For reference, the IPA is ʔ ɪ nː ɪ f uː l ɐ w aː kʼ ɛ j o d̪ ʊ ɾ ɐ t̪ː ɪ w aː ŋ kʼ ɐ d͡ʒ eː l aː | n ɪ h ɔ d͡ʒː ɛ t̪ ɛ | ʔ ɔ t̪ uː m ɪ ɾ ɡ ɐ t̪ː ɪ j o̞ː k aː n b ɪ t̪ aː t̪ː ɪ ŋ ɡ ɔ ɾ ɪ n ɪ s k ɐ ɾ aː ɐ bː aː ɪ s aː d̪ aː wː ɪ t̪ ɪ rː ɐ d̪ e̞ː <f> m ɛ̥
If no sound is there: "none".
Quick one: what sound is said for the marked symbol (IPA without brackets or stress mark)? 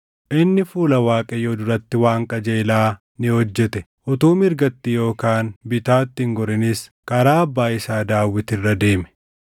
none